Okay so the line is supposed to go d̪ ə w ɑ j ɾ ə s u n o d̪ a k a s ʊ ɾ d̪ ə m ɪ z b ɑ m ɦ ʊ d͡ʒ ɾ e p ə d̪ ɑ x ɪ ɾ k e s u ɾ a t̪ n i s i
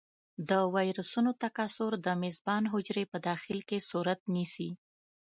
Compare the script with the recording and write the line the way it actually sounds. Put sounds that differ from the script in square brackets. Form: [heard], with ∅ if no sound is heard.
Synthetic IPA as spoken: d̪ ə w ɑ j ɾ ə s u n o [t̪] a k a s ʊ ɾ d̪ ə m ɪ z b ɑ [n] ɦ ʊ d͡ʒ ɾ e p ə d̪ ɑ x ɪ [l] k e s u ɾ a t̪ n i s i

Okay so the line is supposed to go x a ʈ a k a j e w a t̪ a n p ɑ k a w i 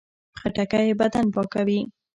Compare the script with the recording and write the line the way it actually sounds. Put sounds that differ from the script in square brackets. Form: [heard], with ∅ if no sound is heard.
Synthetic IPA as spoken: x a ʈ a k a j e [b] a [d̪] a n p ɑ k a w i

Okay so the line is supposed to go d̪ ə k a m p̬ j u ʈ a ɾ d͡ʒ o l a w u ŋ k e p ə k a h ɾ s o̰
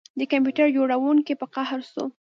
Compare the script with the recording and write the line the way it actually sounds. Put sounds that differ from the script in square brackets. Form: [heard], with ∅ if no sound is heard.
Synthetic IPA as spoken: d̪ ə k a m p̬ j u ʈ a ɾ d͡ʒ o [ɽ] a w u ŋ k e p ə [q] a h ɾ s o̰

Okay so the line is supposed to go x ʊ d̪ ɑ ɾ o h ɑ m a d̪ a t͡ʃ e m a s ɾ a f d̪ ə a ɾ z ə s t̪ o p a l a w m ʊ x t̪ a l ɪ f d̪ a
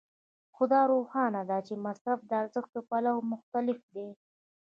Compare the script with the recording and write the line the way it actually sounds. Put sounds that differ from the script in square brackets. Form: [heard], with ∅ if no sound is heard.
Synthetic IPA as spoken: x ʊ d̪ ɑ ɾ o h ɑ [n] a d̪ a t͡ʃ e m a s ɾ a f d̪ ə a ɾ z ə [x] t̪ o p a l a w m ʊ x t̪ a l ɪ f d̪ [e]

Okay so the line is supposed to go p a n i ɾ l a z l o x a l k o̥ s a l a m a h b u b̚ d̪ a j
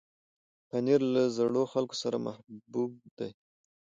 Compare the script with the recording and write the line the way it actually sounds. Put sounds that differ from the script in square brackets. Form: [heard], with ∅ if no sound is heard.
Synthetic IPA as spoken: p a n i ɾ l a z [ɽ] o x a l k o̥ s a [ɾ] a m a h b u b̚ d̪ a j

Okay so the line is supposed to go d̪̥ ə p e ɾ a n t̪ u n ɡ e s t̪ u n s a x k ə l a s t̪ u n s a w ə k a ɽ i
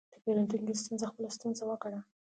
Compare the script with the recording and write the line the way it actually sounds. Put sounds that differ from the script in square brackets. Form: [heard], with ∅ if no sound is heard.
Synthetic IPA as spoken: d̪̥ ə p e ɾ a n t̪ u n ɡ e s t̪ u n [z] a x [p] ə l a s t̪ u n [z] a w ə k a ɽ [a]

